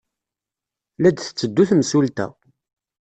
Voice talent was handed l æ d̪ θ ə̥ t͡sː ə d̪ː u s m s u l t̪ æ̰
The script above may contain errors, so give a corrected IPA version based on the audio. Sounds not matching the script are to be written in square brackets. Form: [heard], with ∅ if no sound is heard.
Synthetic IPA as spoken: l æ d̪ θ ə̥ t͡sː ə d̪ː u [θ] m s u l t̪ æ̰